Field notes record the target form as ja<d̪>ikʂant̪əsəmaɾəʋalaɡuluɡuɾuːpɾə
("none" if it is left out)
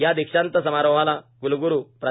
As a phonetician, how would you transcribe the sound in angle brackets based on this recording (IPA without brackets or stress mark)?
d̪